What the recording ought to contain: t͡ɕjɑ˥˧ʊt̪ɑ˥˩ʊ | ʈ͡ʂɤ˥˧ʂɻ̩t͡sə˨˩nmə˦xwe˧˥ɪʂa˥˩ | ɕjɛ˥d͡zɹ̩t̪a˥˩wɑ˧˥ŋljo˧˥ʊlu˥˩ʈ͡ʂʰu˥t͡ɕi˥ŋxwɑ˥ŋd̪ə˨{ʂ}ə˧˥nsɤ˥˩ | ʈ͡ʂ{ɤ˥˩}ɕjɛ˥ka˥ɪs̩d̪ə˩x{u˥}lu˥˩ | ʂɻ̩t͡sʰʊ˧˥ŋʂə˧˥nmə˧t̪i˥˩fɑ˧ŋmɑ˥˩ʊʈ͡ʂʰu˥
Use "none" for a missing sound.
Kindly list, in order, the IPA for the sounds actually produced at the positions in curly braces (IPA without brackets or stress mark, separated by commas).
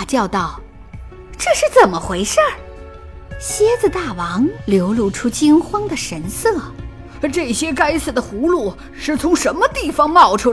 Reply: ʂ, ɤ˥˩, u˧˥